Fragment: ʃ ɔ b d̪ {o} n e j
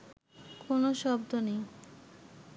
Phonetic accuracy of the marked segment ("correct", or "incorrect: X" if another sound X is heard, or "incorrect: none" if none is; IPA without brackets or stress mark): correct